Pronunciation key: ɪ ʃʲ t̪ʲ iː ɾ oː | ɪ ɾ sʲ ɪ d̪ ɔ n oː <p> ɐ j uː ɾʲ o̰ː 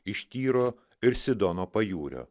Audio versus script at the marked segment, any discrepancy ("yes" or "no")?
no